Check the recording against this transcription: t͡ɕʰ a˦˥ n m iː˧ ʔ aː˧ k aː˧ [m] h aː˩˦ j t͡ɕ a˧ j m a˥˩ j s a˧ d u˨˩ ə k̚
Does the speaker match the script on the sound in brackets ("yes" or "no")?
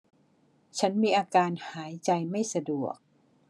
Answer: no